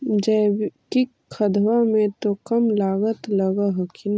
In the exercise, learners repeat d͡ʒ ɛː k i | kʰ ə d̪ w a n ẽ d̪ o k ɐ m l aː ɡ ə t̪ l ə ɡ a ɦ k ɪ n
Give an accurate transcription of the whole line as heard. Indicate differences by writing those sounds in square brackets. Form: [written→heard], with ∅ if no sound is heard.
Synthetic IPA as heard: d͡ʒ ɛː k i | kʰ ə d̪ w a [n→m] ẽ [d̪→t̪] o k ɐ m l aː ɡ ə t̪ l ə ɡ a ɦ k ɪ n